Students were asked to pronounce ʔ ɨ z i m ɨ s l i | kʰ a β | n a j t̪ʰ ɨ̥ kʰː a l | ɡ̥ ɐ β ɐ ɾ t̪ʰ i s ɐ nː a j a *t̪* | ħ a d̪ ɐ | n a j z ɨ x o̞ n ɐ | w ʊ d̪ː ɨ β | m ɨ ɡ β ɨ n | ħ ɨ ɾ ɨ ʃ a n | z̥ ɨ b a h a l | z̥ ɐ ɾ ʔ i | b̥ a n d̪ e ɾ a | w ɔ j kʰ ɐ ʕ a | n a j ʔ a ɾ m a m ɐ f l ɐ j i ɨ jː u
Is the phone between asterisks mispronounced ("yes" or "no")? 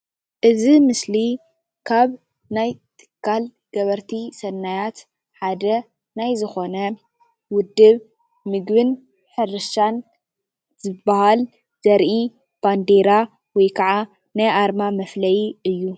no